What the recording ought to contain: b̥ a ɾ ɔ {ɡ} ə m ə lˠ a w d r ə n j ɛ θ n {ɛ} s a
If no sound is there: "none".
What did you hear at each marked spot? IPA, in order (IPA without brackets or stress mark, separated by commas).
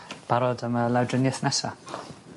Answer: d, ɛ